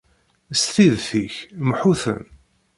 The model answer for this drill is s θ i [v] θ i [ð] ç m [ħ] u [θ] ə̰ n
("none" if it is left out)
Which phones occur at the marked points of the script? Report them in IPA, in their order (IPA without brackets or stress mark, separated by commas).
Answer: ð, none, ħ, θ